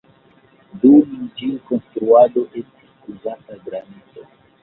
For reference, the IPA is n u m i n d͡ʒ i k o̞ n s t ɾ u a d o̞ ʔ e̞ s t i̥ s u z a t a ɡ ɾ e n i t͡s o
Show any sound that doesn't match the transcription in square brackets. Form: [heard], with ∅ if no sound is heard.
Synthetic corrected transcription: [d] u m i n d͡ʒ i k o̞ n s t ɾ u a d o̞ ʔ e̞ s t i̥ s u z a t a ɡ ɾ [a] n i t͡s o